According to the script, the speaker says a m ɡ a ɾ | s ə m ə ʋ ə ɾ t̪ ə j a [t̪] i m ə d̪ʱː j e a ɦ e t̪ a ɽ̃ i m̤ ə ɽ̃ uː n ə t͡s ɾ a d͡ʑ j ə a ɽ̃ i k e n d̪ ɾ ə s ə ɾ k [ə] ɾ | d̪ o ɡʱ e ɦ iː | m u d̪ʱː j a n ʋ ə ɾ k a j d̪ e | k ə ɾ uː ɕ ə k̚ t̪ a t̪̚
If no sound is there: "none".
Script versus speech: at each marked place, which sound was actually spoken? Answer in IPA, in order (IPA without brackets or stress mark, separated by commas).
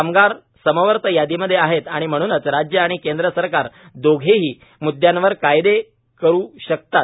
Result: d̪, a